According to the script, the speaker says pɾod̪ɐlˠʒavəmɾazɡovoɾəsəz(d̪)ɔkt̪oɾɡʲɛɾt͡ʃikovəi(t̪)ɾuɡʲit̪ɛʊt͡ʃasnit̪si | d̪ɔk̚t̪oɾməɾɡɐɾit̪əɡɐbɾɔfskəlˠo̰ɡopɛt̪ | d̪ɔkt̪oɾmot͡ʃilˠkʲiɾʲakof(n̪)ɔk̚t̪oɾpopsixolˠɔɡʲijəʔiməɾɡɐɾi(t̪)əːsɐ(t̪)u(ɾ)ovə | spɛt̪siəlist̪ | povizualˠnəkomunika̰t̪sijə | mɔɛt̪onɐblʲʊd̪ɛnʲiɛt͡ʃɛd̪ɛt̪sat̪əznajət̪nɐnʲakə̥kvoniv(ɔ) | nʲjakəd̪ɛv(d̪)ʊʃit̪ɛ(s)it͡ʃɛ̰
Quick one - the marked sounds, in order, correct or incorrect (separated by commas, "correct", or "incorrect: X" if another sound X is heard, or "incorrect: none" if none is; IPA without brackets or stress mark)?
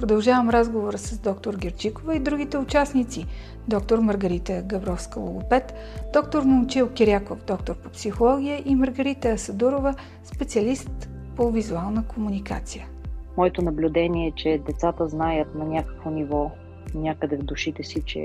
correct, incorrect: d̪, incorrect: d̪, correct, incorrect: d̪, correct, correct, correct, correct